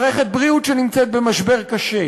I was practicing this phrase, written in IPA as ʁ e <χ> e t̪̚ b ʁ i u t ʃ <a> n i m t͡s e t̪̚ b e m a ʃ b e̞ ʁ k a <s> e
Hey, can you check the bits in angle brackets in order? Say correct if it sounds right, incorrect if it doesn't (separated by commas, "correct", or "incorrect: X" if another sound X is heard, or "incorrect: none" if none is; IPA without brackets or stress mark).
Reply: correct, incorrect: e, incorrect: ʃ